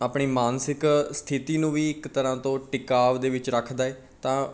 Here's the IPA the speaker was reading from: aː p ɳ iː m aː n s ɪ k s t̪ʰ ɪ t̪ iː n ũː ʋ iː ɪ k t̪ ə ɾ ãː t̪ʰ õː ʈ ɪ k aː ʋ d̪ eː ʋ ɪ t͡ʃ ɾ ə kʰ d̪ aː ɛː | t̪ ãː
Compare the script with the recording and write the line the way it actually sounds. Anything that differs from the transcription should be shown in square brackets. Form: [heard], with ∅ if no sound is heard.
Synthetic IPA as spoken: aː p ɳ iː m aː n s ɪ k s t̪ʰ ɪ t̪ iː n ũː ʋ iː ɪ k t̪ ə ɾ ãː [t̪] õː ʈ ɪ k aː ʋ d̪ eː ʋ ɪ t͡ʃ ɾ ə kʰ d̪ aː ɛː | t̪ ãː

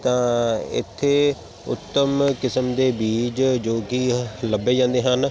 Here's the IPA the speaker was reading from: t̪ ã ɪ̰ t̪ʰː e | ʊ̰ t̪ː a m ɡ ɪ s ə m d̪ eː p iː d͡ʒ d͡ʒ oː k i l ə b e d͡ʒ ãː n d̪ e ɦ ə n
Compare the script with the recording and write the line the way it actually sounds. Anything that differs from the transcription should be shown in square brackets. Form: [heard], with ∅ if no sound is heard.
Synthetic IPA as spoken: t̪ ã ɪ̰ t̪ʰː e | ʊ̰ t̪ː [ə] m [k] ɪ s ə m d̪ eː [b] iː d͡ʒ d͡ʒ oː k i l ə b e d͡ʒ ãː n d̪ e ɦ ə n

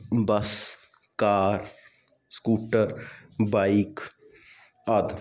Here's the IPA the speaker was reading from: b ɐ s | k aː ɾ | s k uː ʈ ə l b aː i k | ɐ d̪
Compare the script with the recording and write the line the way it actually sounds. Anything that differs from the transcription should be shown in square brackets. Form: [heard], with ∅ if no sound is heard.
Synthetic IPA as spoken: b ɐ s | k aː ɾ | s k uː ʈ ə [ɾ] b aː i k | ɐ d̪

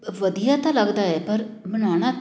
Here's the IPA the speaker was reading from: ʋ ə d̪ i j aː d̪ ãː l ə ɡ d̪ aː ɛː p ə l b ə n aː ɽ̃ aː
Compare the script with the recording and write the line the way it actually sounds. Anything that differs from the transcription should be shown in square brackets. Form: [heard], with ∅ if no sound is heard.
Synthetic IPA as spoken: ʋ ə d̪ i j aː [t̪] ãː l ə ɡ d̪ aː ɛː p ə [ɾ] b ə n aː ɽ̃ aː

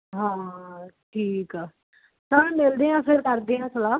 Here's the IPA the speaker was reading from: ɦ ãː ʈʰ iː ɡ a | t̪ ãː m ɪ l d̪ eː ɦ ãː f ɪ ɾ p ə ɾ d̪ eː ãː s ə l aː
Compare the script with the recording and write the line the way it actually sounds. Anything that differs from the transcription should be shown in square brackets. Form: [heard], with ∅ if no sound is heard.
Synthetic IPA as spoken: ɦ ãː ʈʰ iː [k] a | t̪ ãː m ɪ l d̪ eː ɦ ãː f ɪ ɾ [k] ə ɾ d̪ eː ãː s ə l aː

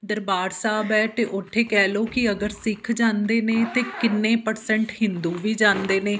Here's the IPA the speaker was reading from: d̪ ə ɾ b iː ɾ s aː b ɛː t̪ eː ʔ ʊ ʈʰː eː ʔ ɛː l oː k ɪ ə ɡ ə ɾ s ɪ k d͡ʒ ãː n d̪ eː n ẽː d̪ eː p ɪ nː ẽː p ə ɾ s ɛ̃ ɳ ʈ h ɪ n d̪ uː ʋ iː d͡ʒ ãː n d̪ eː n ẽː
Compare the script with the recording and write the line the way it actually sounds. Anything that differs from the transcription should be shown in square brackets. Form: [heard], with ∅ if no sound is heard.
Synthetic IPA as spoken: d̪ ə ɾ b [aː] ɾ s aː b ɛː t̪ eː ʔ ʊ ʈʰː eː [k] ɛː l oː k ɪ ə ɡ ə ɾ s ɪ [kʰ] d͡ʒ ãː n d̪ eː n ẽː [t̪] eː [k] ɪ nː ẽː p ə ɾ s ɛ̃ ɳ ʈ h ɪ n d̪ uː ʋ iː d͡ʒ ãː n d̪ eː n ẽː

